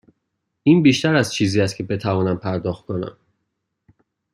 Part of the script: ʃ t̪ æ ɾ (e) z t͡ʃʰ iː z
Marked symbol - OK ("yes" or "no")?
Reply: no